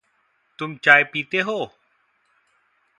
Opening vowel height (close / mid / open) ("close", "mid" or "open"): close